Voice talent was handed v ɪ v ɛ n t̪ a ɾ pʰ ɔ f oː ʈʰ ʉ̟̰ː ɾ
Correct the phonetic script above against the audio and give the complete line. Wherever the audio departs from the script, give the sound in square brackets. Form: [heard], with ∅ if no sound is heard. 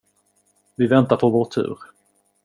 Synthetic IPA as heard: v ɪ v ɛ n t̪ a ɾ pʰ ɔ [v] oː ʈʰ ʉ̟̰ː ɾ